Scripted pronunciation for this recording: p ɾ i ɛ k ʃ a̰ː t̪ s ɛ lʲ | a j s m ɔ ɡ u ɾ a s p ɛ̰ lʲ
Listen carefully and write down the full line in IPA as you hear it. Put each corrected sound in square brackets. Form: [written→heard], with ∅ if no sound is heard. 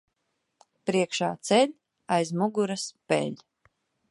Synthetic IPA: p ɾ i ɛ k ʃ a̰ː t̪ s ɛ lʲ | a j [s→z] m [ɔ→u] ɡ u ɾ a s p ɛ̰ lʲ